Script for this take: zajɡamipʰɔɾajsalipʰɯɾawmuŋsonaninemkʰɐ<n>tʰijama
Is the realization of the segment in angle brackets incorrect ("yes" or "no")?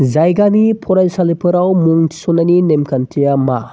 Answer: no